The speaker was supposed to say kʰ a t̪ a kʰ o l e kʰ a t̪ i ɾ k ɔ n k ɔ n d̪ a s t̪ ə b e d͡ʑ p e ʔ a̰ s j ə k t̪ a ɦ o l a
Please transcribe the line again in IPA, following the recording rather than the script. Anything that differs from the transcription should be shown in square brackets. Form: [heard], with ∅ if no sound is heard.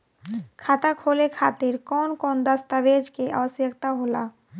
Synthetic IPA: kʰ a t̪ a kʰ o l e kʰ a t̪ i ɾ k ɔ n k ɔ n d̪ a s t̪ [a] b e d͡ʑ [k] e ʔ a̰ s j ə k t̪ a ɦ o l a